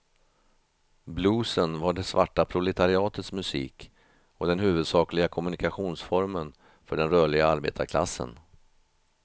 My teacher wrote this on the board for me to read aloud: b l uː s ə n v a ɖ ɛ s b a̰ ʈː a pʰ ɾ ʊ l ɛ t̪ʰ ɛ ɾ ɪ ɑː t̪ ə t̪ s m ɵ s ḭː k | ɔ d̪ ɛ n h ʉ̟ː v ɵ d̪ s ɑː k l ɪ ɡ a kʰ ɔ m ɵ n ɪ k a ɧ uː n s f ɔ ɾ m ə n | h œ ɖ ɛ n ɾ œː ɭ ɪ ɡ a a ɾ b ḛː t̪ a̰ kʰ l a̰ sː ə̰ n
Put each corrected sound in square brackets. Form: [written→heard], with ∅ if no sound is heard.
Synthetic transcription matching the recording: b l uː s ə n v a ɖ ɛ s [b→v] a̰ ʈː a pʰ ɾ ʊ l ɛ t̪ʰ [ɛ→a] ɾ ɪ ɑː t̪ ə t̪ s m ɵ s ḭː k | ɔ d̪ ɛ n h ʉ̟ː v ɵ d̪ s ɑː k l ɪ ɡ a kʰ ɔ m ɵ n ɪ k a ɧ uː n s f ɔ ɾ m ə n | [h→f] œ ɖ ɛ n ɾ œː ɭ ɪ ɡ a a ɾ b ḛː t̪ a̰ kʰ l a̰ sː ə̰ n

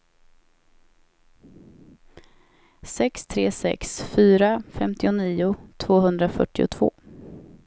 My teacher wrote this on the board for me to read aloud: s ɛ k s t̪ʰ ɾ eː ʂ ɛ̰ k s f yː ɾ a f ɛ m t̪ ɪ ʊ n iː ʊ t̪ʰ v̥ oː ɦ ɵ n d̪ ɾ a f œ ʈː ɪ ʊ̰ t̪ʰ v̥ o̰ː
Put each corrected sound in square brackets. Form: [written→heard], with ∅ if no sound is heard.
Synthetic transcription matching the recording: s ɛ k s t̪ʰ ɾ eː [ʂ→s] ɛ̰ k s f yː ɾ a f ɛ m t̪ ɪ ʊ n iː ʊ t̪ʰ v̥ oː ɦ ɵ n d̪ ɾ a f œ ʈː ɪ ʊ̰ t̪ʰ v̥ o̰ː

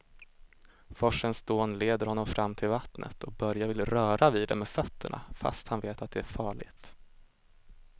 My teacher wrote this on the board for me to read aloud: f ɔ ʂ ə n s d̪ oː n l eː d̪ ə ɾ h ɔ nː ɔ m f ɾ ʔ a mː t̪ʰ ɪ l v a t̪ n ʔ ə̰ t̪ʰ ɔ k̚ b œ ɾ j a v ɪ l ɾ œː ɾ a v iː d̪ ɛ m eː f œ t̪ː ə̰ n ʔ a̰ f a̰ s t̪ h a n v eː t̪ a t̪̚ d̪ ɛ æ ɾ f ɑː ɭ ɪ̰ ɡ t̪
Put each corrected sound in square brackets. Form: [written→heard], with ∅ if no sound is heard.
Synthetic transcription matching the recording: f ɔ ʂ ə n s d̪ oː n l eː d̪ ə ɾ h ɔ nː ɔ m f ɾ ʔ a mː t̪ʰ ɪ l v a t̪ n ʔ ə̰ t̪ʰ ɔ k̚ b œ ɾ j a v ɪ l ɾ œː ɾ a v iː d̪ ɛ m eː f œ t̪ː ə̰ [n→ɳ] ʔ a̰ f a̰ s t̪ h a n v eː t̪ a t̪̚ d̪ ɛ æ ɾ f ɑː ɭ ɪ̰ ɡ t̪

